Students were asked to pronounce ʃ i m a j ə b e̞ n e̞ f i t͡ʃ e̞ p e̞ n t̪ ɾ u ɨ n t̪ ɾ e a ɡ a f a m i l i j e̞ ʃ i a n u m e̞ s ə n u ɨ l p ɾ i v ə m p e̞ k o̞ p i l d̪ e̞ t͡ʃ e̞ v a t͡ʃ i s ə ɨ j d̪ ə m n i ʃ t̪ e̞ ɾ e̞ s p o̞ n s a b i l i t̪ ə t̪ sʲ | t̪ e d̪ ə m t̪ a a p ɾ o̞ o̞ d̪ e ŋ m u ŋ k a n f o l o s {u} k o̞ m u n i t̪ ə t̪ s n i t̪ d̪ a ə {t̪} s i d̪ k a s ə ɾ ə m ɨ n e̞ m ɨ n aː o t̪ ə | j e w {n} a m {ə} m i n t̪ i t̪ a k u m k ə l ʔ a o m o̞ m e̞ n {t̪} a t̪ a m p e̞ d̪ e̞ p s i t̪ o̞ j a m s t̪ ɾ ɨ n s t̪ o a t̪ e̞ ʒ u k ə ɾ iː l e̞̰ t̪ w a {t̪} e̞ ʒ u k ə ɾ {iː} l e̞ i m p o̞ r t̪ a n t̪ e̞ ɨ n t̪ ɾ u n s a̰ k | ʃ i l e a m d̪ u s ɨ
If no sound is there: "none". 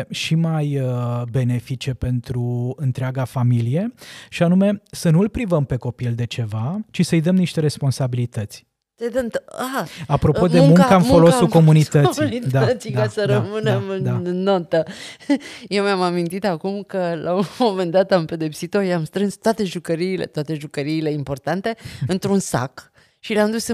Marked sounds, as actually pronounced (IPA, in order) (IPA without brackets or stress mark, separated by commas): u, t̪, m, a, d̪, t̪, iː